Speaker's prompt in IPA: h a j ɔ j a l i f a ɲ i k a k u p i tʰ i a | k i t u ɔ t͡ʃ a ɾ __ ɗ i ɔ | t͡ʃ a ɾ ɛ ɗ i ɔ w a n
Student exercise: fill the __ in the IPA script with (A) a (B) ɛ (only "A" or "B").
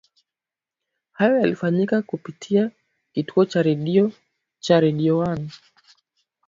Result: B